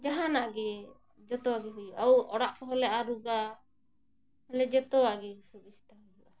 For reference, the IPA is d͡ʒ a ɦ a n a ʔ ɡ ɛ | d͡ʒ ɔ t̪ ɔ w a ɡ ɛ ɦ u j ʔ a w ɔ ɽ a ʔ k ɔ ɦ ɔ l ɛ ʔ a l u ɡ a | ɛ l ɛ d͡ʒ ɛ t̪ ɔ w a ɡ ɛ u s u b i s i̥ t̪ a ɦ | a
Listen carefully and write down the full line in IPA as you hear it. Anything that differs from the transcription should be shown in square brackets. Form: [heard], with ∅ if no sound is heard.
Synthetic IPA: d͡ʒ a ɦ a n a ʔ ɡ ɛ | d͡ʒ ɔ t̪ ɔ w a ɡ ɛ ɦ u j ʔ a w ɔ ɽ a ʔ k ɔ ɦ ɔ l ɛ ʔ a [ɾ] u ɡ a | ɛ l ɛ d͡ʒ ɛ t̪ ɔ w a ɡ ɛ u s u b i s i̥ t̪ a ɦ | a